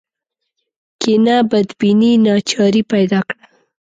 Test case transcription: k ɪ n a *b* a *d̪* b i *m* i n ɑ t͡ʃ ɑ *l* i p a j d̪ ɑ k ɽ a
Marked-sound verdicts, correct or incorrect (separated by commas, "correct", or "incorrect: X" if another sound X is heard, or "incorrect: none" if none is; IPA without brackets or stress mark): correct, correct, incorrect: n, incorrect: ɾ